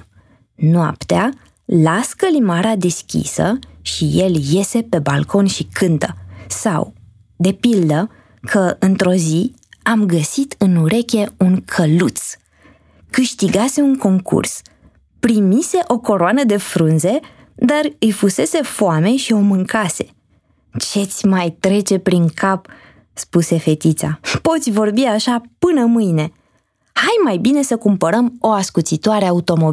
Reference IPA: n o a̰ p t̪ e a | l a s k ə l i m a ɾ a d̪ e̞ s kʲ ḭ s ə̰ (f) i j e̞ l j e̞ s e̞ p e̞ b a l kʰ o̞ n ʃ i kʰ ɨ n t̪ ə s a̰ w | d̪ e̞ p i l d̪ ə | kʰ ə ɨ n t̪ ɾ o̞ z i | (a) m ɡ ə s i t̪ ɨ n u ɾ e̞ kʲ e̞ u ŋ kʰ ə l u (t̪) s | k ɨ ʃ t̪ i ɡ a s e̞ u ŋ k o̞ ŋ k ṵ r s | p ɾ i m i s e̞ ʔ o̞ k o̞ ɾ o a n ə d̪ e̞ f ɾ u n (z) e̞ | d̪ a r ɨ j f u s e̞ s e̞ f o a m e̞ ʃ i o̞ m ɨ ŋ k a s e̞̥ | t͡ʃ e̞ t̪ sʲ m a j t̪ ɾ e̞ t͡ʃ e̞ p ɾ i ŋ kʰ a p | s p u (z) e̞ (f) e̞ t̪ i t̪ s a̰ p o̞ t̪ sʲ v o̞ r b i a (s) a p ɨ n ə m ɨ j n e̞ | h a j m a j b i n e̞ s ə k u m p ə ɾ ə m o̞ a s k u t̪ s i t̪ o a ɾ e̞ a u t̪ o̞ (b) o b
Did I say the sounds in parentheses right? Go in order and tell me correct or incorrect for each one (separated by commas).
incorrect, correct, correct, correct, incorrect, correct, incorrect, incorrect